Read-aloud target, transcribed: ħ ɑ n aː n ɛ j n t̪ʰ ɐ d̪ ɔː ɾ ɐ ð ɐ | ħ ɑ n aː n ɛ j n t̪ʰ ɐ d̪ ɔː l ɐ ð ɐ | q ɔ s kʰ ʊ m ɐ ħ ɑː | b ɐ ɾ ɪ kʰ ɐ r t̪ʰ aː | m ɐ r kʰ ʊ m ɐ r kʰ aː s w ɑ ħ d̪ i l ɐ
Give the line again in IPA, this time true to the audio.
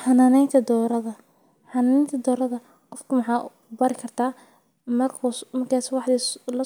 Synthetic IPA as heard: ħ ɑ n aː n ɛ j n t̪ʰ ɐ d̪ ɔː ɾ ɐ ð ɐ | ħ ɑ n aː n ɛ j n t̪ʰ ɐ d̪ ɔː ɾ ɐ ð ɐ | q ɔ f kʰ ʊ m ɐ ħ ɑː | b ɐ ɾ ɪ kʰ ɐ r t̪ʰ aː | m ɐ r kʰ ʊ m ɐ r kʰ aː s w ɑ ħ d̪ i l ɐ

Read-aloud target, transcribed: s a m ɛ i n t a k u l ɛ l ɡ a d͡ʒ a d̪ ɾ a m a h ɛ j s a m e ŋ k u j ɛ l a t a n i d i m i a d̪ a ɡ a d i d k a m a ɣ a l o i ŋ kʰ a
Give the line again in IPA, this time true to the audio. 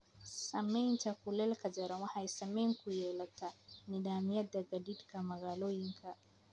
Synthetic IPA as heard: s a m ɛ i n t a k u l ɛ l k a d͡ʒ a ɾ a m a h a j s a m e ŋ k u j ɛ l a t a n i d a m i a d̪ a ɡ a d i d k a m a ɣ a l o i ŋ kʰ a

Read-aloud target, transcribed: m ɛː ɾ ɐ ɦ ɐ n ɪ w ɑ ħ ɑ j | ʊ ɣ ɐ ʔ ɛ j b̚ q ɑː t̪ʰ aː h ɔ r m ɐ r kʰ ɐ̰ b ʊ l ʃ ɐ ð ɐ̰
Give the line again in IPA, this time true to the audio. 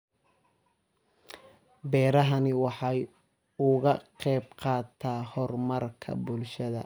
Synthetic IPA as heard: b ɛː ɾ ɐ ɦ ɐ n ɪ w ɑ ħ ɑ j | ʊ ɣ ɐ q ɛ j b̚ q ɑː t̪ʰ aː h ɔ r m ɐ r kʰ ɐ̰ b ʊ l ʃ ɐ ð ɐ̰

